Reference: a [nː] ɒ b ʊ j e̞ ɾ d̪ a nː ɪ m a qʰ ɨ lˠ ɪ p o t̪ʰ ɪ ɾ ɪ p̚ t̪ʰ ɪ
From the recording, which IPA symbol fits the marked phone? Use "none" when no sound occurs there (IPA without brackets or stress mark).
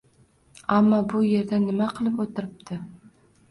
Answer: mː